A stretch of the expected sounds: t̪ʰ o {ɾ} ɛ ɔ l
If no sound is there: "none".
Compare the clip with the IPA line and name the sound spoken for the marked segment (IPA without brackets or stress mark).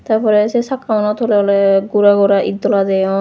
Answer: l